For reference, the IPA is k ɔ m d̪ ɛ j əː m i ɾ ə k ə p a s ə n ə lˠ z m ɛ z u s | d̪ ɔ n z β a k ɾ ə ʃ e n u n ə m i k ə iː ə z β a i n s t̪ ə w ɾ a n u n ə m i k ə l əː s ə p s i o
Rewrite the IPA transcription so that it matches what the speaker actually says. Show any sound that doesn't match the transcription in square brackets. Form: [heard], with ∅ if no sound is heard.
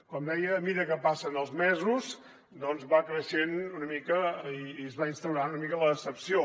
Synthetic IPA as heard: k ɔ m d̪ ɛ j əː m i ɾ ə k ə p a s ə n ə lˠ z m ɛ z u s | d̪ ɔ n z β a k ɾ ə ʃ e n u n ə m i k ə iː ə z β a i n s t̪ ə w ɾ a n u n ə m i k ə l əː s ə p s i o